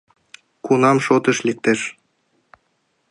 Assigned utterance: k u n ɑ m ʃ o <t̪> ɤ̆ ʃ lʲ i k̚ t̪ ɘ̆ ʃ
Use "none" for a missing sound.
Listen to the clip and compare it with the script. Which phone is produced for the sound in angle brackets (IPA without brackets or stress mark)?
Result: t̪